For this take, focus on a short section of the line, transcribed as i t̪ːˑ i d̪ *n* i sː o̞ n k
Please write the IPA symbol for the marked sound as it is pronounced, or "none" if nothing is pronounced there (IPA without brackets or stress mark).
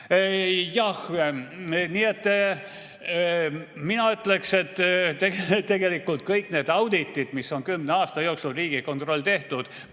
m